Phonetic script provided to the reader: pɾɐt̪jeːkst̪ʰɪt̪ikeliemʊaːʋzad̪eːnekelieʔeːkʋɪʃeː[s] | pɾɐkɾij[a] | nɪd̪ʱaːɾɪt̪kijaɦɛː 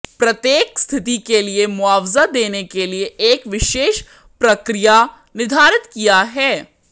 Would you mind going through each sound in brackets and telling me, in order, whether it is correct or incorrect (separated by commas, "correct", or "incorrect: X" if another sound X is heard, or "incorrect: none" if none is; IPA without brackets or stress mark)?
incorrect: ʃ, correct